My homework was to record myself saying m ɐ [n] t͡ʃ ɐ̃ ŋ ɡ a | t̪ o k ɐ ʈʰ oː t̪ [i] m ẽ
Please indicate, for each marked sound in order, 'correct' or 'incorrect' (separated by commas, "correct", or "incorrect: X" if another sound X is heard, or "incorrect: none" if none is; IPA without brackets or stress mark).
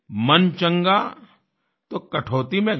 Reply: correct, correct